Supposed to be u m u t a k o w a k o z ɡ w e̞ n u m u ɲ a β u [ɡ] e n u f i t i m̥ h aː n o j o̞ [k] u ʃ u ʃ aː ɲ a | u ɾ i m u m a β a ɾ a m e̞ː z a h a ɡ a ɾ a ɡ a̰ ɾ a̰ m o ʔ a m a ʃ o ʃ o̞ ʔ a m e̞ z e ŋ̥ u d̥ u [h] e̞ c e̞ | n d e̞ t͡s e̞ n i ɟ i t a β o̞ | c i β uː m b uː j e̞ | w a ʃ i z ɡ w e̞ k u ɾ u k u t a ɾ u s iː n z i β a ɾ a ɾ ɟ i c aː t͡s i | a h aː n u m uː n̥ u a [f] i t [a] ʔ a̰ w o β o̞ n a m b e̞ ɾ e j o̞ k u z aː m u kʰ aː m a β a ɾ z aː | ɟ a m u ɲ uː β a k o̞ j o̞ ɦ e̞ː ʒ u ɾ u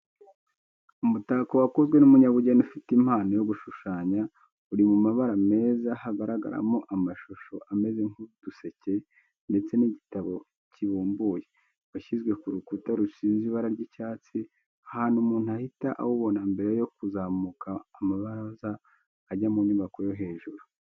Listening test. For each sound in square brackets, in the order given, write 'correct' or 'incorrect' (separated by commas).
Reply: incorrect, incorrect, incorrect, incorrect, correct